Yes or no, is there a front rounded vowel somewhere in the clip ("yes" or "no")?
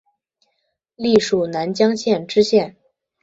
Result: no